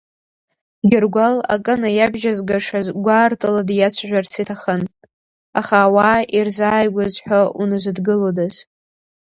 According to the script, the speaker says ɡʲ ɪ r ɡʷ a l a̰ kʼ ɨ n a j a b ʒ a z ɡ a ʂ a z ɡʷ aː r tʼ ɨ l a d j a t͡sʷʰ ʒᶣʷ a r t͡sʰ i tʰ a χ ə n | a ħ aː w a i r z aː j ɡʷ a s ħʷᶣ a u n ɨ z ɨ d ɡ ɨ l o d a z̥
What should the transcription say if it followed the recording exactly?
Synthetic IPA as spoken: ɡʲ ɪ r ɡʷ a l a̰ kʼ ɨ n a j a b ʒ a z ɡ a ʂ a z ɡʷ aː r tʼ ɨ l a d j a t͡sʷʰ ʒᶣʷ a r t͡sʰ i tʰ a χ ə n | a χ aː w a i r z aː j ɡʷ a z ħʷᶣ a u n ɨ z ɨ d ɡ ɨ l o d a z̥